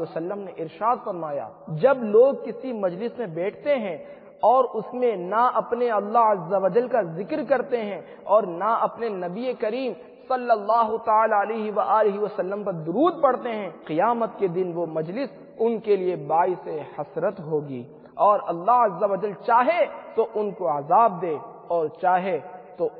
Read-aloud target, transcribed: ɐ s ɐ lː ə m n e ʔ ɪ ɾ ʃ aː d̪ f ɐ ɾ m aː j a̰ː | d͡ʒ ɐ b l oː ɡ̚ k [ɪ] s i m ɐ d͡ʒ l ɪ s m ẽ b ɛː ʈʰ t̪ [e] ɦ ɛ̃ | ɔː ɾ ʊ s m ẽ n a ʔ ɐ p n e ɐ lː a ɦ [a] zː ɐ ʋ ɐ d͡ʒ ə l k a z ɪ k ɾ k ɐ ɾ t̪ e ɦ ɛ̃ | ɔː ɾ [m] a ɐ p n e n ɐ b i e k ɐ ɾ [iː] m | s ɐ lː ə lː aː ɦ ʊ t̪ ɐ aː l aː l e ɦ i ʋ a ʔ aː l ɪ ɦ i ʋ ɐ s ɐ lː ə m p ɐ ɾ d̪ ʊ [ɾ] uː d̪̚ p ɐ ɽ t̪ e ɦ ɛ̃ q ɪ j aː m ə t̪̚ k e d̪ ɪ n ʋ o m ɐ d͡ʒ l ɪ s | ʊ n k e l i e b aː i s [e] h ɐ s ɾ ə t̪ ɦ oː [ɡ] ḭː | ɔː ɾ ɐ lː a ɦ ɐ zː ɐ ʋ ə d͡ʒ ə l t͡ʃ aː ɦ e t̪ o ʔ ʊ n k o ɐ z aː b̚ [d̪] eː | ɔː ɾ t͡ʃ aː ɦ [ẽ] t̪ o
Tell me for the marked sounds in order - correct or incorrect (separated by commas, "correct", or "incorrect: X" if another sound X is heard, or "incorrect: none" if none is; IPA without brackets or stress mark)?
correct, correct, incorrect: ɐ, incorrect: n, correct, correct, correct, correct, correct, incorrect: e